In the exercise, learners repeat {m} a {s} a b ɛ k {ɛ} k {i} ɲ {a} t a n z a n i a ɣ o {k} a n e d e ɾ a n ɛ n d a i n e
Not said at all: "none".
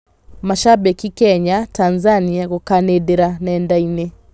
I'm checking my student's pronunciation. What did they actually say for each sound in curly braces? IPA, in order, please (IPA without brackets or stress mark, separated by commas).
m, ʃ, i, ɛ, a, k